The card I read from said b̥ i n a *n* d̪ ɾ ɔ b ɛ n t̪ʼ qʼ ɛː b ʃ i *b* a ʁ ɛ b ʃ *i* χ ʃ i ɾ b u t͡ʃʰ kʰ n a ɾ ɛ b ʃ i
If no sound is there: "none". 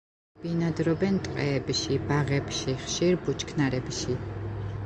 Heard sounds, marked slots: none, b, i

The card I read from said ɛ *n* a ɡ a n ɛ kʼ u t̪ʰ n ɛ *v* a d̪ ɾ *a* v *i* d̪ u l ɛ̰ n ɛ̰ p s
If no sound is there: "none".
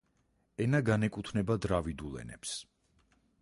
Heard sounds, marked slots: n, b, a, i

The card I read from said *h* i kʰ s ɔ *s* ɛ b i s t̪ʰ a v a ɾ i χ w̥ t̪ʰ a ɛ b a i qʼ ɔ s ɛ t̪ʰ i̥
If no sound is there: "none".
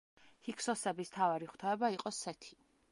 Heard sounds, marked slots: h, s

